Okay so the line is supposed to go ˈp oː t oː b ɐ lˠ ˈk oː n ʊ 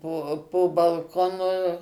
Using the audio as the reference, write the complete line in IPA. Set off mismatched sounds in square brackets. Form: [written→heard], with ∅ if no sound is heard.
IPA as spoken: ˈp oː [t→p] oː b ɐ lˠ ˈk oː n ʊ

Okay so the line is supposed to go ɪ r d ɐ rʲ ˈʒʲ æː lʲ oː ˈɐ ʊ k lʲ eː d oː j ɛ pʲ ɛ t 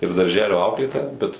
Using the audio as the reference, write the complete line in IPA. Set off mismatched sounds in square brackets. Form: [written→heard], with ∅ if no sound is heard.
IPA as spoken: ɪ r d ɐ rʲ ˈʒʲ æː lʲ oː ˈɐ ʊ k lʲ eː [d→t] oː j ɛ [pʲ→bʲ] ɛ t

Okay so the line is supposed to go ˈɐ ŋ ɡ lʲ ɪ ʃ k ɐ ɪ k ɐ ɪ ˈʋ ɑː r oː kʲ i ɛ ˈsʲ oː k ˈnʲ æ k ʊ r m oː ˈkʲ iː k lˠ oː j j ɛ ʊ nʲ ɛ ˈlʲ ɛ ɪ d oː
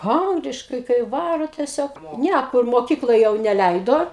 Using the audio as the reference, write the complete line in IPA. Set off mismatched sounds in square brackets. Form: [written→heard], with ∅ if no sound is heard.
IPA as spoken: ˈɐ ŋ ɡ lʲ ɪ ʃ k ɐ ɪ k ɐ ɪ ˈʋ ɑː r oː [kʲ→tʲ] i ɛ ˈsʲ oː k ˈnʲ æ k ʊ r m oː ˈkʲ iː k lˠ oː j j ɛ ʊ nʲ ɛ ˈlʲ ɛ ɪ d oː

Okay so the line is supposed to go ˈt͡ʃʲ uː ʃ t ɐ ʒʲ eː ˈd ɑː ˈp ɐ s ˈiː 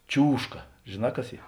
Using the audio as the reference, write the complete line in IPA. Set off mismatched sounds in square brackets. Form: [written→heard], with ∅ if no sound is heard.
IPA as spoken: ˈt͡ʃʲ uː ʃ [t→k] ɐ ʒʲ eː [ˈd→ˈn] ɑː [ˈp→ˈk] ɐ s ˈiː

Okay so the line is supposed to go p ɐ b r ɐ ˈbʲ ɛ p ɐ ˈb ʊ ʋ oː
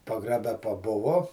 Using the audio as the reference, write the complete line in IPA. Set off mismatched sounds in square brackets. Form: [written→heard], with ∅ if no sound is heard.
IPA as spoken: p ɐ [b→ɡ] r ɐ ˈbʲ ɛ p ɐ ˈb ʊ ʋ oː

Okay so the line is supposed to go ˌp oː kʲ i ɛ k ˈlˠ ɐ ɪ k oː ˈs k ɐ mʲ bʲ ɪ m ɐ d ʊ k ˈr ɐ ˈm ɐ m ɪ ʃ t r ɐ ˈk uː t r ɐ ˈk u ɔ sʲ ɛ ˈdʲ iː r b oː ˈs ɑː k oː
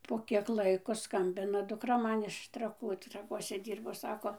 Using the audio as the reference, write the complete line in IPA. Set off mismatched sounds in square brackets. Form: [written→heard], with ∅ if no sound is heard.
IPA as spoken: ˌp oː kʲ i ɛ k ˈlˠ ɐ ɪ k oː ˈs k ɐ mʲ bʲ ɪ [m→n] ɐ d ʊ k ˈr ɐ ˈm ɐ [m→n] ɪ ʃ t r ɐ ˈk uː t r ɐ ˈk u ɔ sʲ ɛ ˈdʲ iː r b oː ˈs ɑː k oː

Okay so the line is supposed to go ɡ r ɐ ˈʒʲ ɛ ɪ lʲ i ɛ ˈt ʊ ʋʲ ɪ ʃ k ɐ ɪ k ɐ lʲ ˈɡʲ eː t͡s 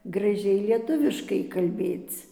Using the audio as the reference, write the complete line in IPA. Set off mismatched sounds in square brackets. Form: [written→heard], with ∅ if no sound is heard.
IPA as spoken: ɡ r ɐ ˈʒʲ ɛ ɪ lʲ i ɛ ˈt ʊ ʋʲ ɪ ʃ k ɐ ɪ k ɐ lʲ [ˈɡʲ→ˈbʲ] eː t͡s

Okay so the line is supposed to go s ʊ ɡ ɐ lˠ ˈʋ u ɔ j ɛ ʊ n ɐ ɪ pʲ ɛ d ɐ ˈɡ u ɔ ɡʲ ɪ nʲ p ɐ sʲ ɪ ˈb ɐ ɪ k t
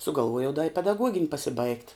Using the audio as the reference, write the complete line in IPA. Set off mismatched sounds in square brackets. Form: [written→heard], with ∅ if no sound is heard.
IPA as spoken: s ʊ ɡ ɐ lˠ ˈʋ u ɔ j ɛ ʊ [n→d] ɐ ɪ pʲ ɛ d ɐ ˈɡ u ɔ ɡʲ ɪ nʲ p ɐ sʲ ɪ ˈb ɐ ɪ k t

